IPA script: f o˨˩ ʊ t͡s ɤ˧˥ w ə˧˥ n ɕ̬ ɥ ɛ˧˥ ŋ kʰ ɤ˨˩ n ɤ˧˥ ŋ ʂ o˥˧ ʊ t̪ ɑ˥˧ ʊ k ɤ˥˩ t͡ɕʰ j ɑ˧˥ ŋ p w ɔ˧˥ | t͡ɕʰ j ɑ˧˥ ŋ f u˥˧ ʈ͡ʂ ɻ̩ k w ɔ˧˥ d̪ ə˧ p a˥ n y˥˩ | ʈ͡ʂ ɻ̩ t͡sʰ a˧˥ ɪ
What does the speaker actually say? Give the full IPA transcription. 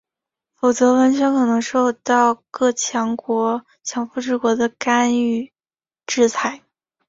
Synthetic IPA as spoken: f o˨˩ ʊ t͡s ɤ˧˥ w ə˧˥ n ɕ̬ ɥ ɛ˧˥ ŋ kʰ ɤ˨˩ n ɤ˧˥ ŋ ʂ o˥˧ ʊ t̪ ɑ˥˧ ʊ k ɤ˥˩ t͡ɕʰ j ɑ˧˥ ŋ k w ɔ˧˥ | t͡ɕʰ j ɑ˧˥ ŋ f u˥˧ ʈ͡ʂ ɻ̩ k w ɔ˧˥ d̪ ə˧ k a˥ n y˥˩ | ʈ͡ʂ ɻ̩ t͡sʰ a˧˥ ɪ

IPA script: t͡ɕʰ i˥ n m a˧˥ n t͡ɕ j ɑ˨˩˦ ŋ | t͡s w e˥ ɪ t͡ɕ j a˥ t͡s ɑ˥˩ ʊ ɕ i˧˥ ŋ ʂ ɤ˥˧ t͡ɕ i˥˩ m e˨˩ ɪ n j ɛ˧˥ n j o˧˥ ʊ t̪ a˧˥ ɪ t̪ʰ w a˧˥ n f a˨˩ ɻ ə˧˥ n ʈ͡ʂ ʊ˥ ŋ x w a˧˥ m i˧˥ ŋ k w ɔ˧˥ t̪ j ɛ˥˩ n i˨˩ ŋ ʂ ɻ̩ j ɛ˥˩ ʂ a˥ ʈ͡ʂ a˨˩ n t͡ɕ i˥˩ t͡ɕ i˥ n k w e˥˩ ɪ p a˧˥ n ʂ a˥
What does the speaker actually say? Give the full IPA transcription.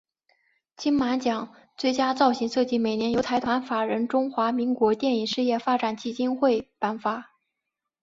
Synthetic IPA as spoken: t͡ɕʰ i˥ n m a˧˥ n t͡ɕ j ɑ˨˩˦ ŋ | t͡s w e˥˩ ɪ t͡ɕ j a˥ t͡s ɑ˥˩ ʊ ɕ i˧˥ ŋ ʂ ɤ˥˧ t͡ɕ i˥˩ m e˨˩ ɪ n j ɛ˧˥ n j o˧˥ ʊ t̪ʰ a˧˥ ɪ t̪ʰ w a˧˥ n f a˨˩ ɻ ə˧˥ n ʈ͡ʂ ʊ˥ ŋ x w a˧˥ m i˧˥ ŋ k w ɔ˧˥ t̪ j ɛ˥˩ n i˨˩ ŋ ʂ ɻ̩ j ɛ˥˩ f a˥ ʈ͡ʂ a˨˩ n t͡ɕ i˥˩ t͡ɕ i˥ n x w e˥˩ ɪ p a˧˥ n f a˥

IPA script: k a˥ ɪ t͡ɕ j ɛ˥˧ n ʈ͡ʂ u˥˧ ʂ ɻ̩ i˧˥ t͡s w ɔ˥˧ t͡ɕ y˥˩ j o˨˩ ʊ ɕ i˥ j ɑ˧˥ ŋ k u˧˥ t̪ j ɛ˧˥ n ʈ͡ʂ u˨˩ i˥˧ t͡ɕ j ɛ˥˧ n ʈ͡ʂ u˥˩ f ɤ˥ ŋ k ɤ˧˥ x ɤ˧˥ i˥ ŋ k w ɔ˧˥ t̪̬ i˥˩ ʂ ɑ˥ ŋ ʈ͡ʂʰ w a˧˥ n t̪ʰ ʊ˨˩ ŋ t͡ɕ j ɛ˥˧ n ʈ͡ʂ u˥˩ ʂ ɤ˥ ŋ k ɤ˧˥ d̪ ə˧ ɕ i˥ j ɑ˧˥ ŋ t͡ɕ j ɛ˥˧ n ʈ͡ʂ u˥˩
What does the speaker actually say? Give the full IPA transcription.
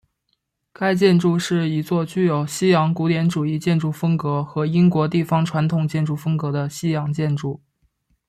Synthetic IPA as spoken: k a˥ ɪ t͡ɕ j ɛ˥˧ n ʈ͡ʂ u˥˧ ʂ ɻ̩ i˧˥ t͡s w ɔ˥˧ t͡ɕ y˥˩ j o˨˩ ʊ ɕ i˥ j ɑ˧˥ ŋ k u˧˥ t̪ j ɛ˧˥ n ʈ͡ʂ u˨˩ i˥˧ t͡ɕ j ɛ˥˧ n ʈ͡ʂ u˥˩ f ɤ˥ ŋ k ɤ˧˥ x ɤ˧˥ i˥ ŋ k w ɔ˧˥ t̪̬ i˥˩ f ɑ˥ ŋ ʈ͡ʂʰ w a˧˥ n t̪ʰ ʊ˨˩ ŋ t͡ɕ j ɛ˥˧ n ʈ͡ʂ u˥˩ f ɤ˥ ŋ k ɤ˧˥ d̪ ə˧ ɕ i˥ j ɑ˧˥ ŋ t͡ɕ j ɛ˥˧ n ʈ͡ʂ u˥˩

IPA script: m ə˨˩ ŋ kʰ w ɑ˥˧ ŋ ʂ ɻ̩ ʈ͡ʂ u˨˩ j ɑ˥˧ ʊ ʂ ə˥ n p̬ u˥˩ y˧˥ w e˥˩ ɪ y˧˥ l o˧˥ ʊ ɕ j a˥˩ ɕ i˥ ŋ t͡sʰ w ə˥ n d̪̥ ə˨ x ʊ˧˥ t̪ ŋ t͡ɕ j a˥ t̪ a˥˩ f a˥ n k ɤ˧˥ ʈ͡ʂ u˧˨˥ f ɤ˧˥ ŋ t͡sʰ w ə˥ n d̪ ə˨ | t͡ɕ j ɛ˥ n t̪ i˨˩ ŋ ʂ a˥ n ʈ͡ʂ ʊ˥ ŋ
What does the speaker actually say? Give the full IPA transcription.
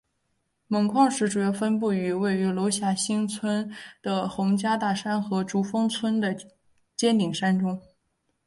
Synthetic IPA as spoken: m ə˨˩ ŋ kʰ w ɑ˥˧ ŋ ʂ ɻ̩ ʈ͡ʂ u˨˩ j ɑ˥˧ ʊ f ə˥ n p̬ u˥˩ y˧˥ w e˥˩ ɪ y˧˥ l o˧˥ ʊ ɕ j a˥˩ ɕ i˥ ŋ t͡sʰ w ə˥ n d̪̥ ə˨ x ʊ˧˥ ŋ t͡ɕ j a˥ t̪ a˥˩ ʂ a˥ n x ɤ˧˥ ʈ͡ʂ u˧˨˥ f ɤ˥ ŋ t͡sʰ w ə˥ n d̪ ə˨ | t͡ɕ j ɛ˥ n t̪ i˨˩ ŋ ʂ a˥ n ʈ͡ʂ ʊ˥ ŋ

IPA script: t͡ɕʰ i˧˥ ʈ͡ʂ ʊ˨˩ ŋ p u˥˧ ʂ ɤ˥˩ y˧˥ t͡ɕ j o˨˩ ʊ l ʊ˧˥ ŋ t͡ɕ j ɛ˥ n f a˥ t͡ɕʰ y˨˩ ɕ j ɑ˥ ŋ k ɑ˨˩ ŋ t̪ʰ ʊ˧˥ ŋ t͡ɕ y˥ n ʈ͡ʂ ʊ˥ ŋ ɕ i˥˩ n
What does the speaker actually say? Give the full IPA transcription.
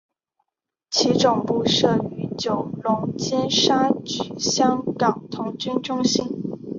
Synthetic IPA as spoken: t͡ɕʰ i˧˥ ʈ͡ʂ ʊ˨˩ ŋ p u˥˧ ʂ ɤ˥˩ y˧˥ t͡ɕ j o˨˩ ʊ l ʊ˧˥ ŋ t͡ɕ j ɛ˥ n ʂ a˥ t͡ɕ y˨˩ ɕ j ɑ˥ ŋ k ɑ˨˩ ŋ t̪ʰ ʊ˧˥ ŋ t͡ɕ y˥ n ʈ͡ʂ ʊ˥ ŋ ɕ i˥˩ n

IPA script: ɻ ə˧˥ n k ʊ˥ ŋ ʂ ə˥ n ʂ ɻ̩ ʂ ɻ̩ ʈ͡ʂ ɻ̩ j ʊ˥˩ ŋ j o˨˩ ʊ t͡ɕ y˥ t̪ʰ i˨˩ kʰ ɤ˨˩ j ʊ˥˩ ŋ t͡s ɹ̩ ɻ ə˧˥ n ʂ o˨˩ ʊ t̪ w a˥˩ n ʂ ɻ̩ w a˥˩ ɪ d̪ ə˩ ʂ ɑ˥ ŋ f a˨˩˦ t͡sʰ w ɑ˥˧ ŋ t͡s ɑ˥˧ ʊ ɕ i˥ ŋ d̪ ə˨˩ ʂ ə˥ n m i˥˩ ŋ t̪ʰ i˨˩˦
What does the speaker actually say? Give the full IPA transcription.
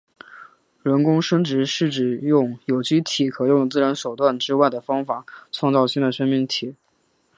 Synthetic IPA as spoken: ɻ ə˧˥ n k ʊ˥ ŋ ʂ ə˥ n ʈ͡ʂ ɻ̩ ʂ ɻ̩ ʈ͡ʂ ɻ̩ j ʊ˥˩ ŋ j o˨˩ ʊ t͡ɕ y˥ t̪ʰ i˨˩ kʰ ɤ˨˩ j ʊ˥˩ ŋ t͡s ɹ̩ ɻ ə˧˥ n ʂ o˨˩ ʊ t̪ w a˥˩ n ʈ͡ʂ ɻ̩ w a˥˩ ɪ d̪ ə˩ f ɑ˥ ŋ f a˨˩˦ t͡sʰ w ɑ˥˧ ŋ t͡s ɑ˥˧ ʊ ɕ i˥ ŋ d̪ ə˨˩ ʂ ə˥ n m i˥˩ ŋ t̪ʰ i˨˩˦

